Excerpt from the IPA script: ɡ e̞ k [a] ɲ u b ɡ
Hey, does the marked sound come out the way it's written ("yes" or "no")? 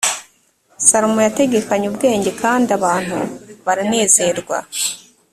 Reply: yes